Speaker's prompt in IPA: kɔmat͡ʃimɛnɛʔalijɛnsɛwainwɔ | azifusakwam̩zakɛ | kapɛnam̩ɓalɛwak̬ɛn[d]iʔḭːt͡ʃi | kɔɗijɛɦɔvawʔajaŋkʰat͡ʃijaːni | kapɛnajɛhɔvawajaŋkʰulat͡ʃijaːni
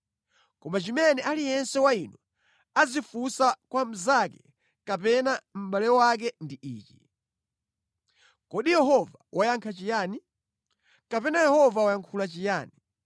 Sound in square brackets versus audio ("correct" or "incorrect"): correct